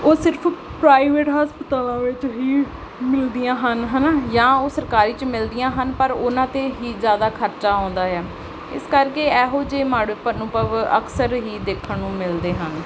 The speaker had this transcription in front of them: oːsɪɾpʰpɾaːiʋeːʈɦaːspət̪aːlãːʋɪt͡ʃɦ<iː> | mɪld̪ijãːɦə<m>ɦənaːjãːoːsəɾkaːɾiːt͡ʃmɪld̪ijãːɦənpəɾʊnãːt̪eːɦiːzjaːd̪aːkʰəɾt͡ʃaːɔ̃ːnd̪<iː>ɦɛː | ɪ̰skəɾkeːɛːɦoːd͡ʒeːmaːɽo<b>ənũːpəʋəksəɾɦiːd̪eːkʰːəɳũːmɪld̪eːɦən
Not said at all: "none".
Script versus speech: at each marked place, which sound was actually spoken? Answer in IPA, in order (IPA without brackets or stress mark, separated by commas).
iː, n, aː, p